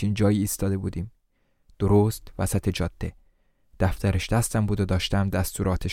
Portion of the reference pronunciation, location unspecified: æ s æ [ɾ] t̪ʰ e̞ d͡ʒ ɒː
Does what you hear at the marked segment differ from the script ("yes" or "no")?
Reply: yes